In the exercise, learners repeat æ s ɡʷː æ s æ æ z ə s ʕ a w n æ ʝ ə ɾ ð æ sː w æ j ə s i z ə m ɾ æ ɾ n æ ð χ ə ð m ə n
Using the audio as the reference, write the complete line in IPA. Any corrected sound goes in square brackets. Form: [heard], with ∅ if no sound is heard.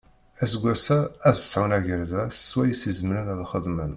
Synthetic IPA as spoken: æ s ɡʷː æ s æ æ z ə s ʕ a w n æ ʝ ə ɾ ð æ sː w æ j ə s i z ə m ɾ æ [∅] n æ ð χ ə ð m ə n